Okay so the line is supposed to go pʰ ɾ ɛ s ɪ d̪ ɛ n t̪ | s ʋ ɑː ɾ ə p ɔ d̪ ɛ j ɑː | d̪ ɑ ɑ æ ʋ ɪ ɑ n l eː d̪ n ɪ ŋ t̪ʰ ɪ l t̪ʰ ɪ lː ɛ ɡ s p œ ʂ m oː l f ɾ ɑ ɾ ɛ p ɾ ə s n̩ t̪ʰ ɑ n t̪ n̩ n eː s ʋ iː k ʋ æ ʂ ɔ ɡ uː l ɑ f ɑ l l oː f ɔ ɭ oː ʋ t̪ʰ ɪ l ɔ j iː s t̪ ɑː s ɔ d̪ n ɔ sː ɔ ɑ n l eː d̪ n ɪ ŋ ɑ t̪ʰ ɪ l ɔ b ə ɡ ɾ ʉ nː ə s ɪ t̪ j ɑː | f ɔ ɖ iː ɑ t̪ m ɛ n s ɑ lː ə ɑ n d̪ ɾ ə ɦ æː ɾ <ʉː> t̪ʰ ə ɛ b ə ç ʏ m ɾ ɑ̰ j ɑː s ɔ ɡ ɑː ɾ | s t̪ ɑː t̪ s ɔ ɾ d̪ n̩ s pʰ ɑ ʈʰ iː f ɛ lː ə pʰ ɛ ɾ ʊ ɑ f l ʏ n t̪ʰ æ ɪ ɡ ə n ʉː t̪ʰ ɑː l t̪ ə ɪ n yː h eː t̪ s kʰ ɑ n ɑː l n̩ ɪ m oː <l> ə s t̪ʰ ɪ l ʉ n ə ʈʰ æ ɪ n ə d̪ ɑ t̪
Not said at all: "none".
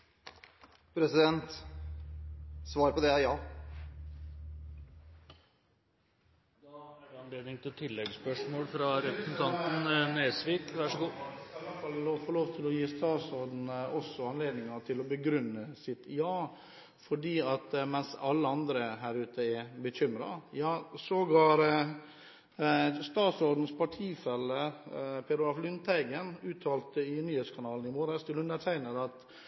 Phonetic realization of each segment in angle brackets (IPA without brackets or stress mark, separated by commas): ʉː, ɾ